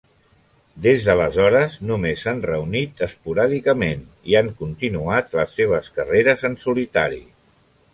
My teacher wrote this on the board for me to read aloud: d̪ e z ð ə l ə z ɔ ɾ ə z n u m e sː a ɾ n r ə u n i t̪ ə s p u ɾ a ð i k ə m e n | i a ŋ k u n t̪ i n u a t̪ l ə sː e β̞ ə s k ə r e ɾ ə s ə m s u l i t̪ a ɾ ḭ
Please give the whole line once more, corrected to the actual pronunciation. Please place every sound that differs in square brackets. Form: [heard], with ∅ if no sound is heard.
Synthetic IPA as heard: d̪ e z ð ə l ə z ɔ ɾ ə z n u m e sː a [∅] n r ə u n i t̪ ə s p u ɾ a ð i k ə m e n | i a ŋ k u n t̪ i n u a t̪ l ə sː e β̞ ə s k ə r e ɾ ə [z] ə [n] s u l i t̪ a ɾ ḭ